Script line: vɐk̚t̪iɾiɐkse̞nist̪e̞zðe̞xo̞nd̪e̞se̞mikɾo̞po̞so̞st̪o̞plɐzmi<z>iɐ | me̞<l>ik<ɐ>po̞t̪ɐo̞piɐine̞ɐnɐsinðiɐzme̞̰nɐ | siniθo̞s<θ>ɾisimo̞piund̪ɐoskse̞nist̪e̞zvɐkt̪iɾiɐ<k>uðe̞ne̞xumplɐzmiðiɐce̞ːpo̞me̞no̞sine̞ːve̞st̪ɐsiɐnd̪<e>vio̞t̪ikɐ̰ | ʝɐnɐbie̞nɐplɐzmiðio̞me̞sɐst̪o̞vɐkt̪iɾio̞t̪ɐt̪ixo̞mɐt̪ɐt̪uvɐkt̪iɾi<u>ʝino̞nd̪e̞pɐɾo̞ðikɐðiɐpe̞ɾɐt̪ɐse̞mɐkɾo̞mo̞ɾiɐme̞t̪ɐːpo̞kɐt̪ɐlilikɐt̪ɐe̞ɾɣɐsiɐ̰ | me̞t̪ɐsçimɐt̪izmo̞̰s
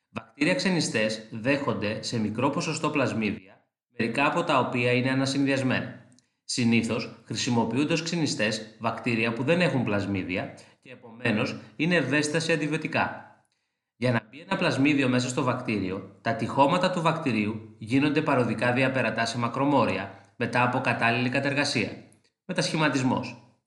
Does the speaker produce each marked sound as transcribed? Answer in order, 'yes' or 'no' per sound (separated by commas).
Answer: no, no, no, no, no, no, yes